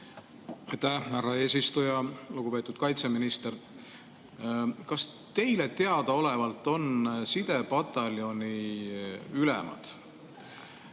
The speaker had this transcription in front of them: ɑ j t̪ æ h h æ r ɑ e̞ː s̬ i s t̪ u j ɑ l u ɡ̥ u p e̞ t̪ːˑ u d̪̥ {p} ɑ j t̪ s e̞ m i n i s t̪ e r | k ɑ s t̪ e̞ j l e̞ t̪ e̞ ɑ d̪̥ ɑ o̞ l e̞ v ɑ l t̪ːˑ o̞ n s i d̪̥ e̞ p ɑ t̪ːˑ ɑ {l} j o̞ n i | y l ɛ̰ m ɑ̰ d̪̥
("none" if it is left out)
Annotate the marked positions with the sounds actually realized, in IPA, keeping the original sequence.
k, l

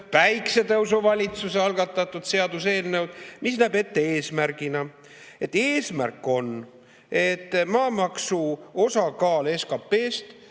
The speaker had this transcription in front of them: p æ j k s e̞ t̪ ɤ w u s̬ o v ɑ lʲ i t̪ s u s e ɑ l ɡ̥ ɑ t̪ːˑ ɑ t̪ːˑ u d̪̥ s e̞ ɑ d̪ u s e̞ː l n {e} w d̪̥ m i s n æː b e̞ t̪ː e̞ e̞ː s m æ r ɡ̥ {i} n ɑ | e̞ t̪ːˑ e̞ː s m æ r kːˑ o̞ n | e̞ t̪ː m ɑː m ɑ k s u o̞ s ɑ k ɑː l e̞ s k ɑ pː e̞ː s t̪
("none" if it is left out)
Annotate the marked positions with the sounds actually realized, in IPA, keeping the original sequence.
e, i

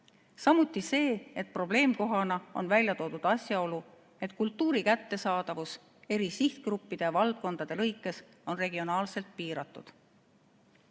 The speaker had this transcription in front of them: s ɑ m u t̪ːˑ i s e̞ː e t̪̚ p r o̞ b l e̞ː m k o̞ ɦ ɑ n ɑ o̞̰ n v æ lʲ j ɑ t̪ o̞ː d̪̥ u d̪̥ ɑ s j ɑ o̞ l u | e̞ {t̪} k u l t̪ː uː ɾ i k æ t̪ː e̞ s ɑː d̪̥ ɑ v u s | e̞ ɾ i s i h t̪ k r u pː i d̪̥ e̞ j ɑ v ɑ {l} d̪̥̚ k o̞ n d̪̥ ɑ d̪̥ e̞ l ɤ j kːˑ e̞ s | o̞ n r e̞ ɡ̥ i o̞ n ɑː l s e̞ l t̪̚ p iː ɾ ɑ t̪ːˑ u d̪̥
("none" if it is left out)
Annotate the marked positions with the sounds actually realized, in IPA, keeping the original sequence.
t̪, l

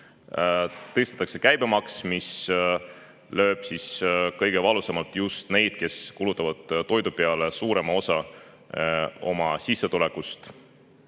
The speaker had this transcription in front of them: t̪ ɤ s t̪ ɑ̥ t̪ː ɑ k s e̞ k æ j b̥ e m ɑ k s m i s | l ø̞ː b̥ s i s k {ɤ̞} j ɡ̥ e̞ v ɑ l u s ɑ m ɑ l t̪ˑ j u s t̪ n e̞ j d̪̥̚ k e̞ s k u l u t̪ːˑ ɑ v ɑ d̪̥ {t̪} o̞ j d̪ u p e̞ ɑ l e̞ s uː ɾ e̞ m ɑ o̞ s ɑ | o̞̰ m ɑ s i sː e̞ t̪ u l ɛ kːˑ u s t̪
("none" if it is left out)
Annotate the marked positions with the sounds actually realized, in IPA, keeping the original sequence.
ɤ̞, t̪

